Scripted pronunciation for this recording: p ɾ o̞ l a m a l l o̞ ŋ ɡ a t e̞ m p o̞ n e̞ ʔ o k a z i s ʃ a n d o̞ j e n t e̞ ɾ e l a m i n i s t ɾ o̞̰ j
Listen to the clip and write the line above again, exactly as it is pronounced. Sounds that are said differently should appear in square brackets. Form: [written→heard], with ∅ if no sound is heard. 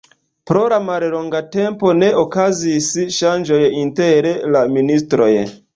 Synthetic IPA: p ɾ o̞ l a m a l l o̞ ŋ ɡ a t e̞ m p o̞ n e̞ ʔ o k a z i s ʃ a n [d→d͡ʒ] o̞ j [e→i] n t e̞ ɾ e l a m i n i s t ɾ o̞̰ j

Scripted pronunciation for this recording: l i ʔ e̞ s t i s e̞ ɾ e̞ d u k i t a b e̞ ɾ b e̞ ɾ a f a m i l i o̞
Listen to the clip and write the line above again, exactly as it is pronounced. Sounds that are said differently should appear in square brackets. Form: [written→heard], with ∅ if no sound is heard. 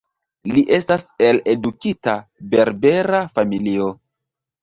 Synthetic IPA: l i ʔ e̞ s t [i→a] s e̞ [ɾ→l] e̞ d u k i t a b e̞ ɾ b e̞ ɾ a f a m i l i o̞

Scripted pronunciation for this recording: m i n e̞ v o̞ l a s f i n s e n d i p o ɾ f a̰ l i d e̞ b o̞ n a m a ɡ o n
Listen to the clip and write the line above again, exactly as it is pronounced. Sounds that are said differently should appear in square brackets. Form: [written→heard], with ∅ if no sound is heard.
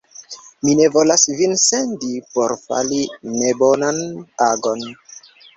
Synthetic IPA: m i n e̞ v o̞ l a s [f→v] i n s e n d i p o ɾ f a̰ l i [d→n] e̞ b o̞ n a [m→n] a ɡ o n

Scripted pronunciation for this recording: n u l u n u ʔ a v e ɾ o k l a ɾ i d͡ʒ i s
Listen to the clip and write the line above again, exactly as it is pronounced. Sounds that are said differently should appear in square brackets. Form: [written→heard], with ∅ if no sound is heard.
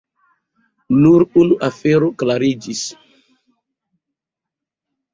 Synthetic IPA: n u [l→ɾ] u n u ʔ a [v→f] e ɾ o k l a ɾ i d͡ʒ i s

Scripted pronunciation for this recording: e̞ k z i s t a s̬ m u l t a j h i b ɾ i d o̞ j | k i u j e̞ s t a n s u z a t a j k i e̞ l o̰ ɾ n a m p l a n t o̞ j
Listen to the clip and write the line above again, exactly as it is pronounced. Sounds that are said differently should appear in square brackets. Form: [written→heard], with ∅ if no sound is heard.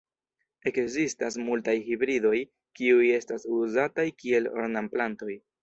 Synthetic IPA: e̞ k z i s t a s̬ m u l t a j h i b ɾ i d o̞ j | k i u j e̞ s t a [n→∅] s u z a t a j k i e̞ l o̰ ɾ n a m p l a n t o̞ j

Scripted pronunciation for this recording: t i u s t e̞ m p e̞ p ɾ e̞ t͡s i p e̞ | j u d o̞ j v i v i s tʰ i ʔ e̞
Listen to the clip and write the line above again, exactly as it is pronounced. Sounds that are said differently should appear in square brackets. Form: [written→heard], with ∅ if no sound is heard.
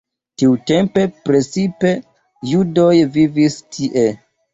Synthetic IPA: t i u [s→∅] t e̞ m p e̞ p ɾ e̞ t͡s i p e̞ | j u d o̞ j v i v i s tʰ i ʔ e̞

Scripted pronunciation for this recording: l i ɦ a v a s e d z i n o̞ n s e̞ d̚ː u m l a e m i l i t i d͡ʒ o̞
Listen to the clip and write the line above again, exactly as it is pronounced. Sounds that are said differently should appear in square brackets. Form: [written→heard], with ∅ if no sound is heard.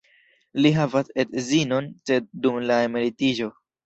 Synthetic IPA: l i ɦ a v a s e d z i n o̞ n s e̞ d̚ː u m l a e m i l i t i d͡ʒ o̞

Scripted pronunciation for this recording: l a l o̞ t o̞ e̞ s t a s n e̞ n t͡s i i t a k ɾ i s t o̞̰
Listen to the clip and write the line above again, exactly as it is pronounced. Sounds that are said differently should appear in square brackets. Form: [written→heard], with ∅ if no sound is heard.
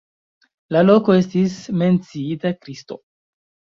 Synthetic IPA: l a l o̞ [t→k] o̞ e̞ s t [a→i] s [n→m] e̞ n t͡s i i t a k ɾ i s t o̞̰

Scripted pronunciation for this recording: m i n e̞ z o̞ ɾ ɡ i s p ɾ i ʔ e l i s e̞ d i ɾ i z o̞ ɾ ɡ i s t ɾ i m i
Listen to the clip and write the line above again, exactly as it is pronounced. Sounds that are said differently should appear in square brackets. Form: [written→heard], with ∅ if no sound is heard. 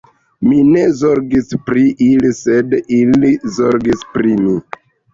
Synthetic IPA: m i n e̞ z o̞ ɾ ɡ i s p ɾ i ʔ [e→i] l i s e̞ d i [ɾ→l] i z o̞ ɾ ɡ i s [t→p] ɾ i m i

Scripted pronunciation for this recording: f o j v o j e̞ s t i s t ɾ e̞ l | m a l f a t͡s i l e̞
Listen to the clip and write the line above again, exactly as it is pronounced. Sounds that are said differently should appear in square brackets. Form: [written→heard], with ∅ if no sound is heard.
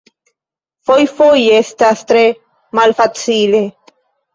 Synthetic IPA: f o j [v→f] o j e̞ s t [i→a] s t ɾ e̞ [l→∅] | m a l f a t͡s i l e̞

